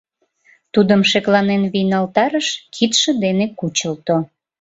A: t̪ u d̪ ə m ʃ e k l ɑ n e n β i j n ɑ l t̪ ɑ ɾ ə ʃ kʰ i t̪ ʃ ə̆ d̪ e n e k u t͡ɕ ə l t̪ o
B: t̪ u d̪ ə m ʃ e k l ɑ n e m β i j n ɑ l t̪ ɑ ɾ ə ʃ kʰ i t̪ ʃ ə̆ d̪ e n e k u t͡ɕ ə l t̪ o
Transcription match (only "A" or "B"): A